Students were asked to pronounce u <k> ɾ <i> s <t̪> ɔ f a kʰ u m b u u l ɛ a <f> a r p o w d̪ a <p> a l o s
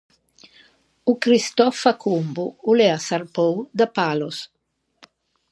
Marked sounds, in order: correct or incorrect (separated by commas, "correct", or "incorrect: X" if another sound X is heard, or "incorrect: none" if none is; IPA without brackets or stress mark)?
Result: correct, correct, correct, incorrect: s, correct